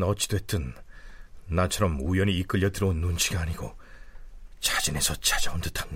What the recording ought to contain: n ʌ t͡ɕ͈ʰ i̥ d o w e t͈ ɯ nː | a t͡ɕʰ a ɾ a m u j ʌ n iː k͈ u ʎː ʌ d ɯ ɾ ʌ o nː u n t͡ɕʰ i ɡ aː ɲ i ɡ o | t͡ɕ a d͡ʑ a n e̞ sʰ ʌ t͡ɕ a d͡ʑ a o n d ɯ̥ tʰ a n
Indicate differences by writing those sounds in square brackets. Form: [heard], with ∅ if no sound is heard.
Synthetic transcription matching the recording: n ʌ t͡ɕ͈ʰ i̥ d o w e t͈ ɯ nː | a t͡ɕʰ [ʌ] ɾ [ʌ] m u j ʌ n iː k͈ [ɯ] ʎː ʌ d ɯ ɾ ʌ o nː u n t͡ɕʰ i ɡ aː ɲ i ɡ o | t͡ɕ a d͡ʑ [i] n e̞ sʰ ʌ t͡ɕ a d͡ʑ a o n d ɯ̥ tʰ a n